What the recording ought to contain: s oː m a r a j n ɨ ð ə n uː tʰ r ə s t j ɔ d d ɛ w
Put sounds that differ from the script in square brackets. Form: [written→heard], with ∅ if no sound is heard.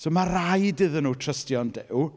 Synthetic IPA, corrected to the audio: s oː m a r a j [n→d] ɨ ð ə n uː tʰ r ə s t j ɔ [d→n] d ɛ w